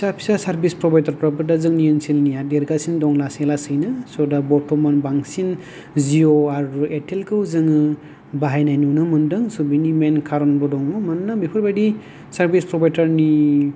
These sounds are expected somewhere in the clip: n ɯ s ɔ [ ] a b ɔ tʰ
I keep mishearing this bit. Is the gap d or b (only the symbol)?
d